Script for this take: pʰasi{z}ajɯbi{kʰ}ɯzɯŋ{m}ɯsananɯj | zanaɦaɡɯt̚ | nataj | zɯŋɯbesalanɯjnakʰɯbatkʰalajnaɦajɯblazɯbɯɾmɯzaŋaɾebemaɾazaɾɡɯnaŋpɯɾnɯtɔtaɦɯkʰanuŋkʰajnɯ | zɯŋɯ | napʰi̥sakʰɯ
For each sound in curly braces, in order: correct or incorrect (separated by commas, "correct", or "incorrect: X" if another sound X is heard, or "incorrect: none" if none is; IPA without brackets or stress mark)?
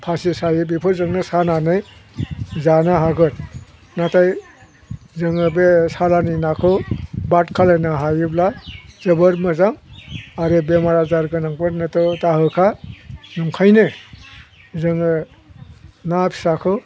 incorrect: s, incorrect: pʰ, incorrect: n